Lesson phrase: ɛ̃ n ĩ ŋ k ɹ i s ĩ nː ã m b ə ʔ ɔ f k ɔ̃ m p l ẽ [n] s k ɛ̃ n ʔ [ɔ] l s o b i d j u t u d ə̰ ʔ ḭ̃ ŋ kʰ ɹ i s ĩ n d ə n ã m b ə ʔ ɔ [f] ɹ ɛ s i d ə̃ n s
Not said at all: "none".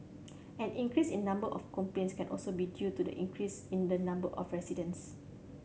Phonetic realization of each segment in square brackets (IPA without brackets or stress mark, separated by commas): n, ɔ, f